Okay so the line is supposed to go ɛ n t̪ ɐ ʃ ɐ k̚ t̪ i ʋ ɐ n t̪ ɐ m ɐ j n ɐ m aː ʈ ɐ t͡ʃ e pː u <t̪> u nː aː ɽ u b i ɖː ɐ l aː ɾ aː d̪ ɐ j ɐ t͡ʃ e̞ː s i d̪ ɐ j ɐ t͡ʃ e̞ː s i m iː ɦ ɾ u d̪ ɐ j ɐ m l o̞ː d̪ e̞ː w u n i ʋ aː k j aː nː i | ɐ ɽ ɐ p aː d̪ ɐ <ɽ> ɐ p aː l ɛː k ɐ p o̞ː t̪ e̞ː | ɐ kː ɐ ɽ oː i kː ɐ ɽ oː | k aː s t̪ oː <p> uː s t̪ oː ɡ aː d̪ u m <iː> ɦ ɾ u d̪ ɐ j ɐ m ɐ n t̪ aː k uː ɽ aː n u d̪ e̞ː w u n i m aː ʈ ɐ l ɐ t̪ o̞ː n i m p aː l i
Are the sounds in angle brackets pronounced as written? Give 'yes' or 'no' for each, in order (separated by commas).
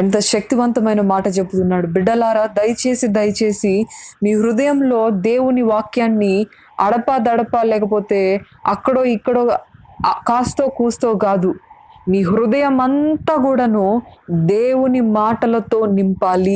yes, yes, no, yes